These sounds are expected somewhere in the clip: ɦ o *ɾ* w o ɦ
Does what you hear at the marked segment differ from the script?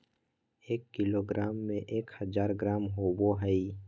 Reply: yes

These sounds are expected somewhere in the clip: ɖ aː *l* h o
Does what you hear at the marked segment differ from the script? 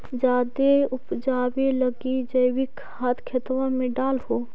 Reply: no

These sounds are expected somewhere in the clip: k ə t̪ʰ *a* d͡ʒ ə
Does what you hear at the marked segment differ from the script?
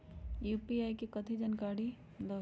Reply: yes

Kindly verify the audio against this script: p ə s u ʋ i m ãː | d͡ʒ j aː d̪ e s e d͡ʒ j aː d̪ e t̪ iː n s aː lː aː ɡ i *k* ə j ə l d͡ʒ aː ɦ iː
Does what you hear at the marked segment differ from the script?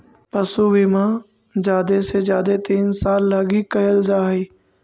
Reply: no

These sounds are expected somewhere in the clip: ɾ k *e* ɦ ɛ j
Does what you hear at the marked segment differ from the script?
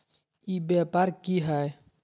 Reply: yes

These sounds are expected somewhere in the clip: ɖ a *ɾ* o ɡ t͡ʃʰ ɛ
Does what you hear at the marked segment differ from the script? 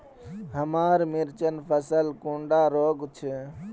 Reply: no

